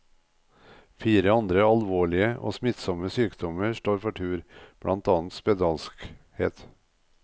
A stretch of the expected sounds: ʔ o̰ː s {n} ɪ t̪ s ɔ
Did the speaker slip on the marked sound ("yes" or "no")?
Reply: yes